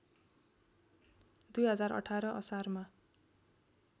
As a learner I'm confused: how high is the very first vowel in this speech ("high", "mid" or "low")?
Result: high